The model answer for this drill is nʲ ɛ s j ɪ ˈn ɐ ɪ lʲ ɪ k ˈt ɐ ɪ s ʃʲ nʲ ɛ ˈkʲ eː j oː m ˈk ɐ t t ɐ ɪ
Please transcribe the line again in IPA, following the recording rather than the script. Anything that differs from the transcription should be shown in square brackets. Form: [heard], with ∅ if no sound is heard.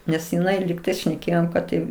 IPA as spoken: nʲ ɛ s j ɪ ˈn ɐ ɪ lʲ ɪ k ˈt ɐ ɪ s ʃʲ nʲ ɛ ˈkʲ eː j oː m ˈk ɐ t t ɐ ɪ